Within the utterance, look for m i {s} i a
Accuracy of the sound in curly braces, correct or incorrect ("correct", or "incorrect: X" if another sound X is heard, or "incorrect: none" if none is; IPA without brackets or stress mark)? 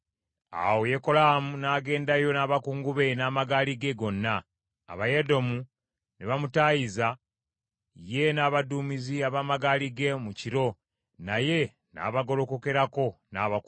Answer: incorrect: z